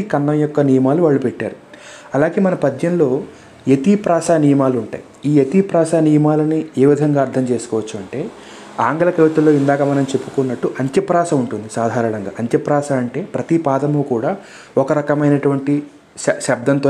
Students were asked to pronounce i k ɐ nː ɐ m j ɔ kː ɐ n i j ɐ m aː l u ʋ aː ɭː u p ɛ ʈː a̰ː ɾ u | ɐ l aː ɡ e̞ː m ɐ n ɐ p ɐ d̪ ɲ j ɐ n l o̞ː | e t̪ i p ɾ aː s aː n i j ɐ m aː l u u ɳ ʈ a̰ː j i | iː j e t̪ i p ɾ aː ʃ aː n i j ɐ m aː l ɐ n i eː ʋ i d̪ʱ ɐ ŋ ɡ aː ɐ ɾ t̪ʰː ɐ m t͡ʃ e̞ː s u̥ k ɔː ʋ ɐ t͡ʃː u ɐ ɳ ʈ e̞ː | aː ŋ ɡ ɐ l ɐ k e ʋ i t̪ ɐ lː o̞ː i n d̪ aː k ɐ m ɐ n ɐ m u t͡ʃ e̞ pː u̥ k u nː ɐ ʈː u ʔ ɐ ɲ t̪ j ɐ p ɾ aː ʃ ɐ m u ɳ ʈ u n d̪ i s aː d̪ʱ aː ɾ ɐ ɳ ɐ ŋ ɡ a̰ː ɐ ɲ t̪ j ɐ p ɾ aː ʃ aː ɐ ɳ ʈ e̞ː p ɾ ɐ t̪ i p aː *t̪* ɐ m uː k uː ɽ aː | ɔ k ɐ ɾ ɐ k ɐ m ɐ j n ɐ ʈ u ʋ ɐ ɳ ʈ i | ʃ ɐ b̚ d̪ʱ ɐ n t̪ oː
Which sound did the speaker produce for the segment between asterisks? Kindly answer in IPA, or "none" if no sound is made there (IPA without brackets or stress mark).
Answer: d̪